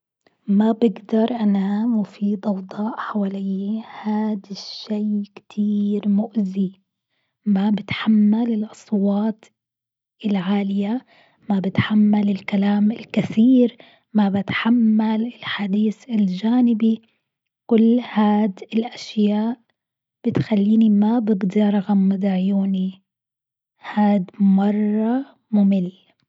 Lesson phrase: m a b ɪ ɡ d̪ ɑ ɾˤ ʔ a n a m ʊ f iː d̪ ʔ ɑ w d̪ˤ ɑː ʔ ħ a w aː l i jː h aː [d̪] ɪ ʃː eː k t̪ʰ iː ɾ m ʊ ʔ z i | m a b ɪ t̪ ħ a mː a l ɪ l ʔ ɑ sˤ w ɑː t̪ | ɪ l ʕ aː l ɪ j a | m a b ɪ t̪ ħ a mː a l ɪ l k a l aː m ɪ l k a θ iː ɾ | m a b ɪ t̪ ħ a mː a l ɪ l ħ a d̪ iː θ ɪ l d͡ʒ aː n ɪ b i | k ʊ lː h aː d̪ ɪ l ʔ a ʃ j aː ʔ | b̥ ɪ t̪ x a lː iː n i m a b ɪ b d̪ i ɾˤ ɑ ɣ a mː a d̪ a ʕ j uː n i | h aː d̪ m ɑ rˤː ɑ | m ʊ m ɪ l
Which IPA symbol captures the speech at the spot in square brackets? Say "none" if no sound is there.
d̪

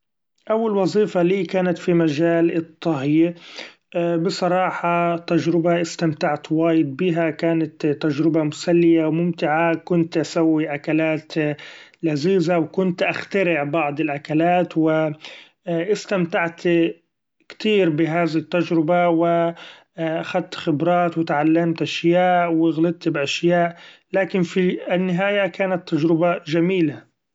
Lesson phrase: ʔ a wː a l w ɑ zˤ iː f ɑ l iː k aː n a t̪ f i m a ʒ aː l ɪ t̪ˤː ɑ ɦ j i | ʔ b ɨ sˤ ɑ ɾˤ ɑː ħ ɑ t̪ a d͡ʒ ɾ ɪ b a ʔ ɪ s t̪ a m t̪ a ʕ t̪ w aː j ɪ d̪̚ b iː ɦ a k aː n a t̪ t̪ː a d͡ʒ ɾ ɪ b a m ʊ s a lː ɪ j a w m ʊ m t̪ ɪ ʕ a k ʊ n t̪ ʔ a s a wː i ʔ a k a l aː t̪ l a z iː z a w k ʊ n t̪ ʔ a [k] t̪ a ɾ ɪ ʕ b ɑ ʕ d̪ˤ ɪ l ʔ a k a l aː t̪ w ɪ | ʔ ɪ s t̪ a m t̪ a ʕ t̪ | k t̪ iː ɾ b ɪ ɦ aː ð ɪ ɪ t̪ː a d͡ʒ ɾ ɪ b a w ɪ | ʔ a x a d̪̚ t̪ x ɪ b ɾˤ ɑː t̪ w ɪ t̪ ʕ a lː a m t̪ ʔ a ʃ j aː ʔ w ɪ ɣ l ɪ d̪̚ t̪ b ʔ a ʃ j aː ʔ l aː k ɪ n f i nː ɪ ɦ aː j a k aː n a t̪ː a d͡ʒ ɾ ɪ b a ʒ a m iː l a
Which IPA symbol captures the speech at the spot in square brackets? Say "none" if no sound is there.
x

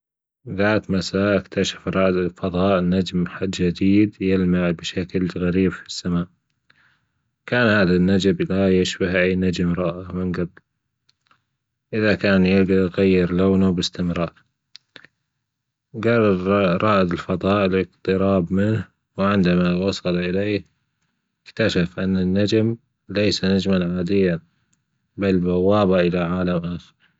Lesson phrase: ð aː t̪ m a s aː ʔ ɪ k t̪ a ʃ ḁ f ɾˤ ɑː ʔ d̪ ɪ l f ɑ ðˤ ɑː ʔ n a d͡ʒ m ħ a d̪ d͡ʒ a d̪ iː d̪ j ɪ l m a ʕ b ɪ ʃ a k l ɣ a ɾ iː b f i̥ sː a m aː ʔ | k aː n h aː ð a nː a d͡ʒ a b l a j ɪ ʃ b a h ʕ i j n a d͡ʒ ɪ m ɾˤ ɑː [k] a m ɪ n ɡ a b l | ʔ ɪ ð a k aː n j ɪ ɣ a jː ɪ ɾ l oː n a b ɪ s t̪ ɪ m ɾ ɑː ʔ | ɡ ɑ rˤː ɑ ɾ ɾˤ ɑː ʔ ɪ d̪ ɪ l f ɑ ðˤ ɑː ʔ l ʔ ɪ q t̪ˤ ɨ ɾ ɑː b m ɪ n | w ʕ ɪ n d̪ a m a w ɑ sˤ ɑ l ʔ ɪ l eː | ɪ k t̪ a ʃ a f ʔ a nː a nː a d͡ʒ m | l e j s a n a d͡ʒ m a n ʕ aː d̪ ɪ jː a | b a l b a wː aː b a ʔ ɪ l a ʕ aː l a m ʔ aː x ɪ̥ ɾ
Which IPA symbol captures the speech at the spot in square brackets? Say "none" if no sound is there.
ʔ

